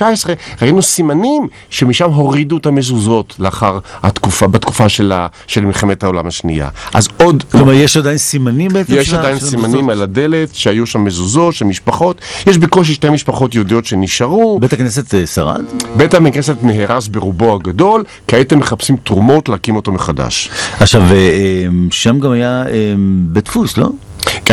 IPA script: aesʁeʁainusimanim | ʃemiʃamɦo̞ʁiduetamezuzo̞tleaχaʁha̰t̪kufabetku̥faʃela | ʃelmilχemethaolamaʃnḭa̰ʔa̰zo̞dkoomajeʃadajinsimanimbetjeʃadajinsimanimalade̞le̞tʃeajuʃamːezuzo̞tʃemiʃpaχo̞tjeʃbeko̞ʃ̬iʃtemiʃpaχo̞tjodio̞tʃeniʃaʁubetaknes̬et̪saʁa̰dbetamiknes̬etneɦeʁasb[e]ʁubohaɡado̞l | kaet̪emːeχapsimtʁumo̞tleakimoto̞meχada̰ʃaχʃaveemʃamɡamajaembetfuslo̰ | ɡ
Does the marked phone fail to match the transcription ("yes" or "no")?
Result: no